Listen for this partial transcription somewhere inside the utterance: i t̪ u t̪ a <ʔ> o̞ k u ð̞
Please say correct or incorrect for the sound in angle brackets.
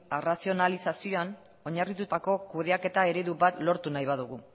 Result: incorrect